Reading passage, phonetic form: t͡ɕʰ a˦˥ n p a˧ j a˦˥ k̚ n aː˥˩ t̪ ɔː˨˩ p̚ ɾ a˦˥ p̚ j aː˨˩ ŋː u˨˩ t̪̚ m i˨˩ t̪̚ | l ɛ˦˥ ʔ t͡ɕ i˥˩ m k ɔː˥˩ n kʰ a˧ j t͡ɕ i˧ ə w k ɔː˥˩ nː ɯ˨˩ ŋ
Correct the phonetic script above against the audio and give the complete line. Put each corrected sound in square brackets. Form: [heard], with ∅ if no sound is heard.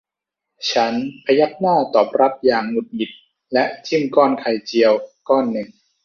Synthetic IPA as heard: t͡ɕʰ a˦˥ n [pʰ] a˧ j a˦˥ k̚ n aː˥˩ t̪ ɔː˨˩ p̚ ɾ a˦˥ p̚ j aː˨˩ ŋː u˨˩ t̪̚ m i˨˩ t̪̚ | l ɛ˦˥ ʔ t͡ɕ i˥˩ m k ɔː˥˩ n kʰ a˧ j t͡ɕ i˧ ə w k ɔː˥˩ nː ɯ˨˩ ŋ